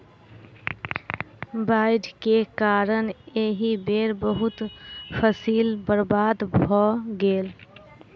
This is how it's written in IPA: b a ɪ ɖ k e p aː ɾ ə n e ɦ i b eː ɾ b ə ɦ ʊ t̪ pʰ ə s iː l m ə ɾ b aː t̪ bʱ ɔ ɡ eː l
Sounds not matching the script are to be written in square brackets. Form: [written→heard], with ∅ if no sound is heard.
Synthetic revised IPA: b a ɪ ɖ k e [p→k] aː ɾ ə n e ɦ i b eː ɾ b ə ɦ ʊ t̪ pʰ ə s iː l [m→b] ə ɾ b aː [t̪→d̪] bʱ ɔ ɡ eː l